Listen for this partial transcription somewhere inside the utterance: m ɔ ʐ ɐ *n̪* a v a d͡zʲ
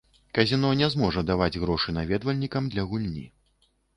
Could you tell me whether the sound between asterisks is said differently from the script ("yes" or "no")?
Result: yes